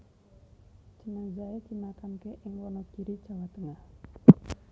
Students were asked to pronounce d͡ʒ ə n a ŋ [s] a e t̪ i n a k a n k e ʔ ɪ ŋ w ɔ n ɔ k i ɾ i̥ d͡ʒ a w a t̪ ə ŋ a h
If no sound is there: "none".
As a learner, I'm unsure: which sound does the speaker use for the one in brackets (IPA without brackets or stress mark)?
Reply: z